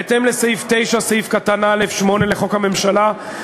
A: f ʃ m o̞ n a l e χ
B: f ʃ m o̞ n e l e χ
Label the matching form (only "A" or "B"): B